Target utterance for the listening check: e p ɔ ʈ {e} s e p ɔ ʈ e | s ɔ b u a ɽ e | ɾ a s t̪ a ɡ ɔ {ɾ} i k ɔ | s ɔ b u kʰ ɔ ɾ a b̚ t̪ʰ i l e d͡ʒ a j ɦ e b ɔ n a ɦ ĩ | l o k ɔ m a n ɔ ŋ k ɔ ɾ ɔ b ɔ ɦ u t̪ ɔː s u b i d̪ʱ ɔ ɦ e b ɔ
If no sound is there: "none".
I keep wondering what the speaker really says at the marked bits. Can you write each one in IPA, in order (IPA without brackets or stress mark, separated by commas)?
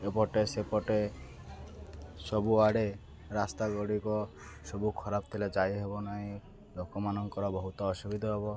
e, ɽ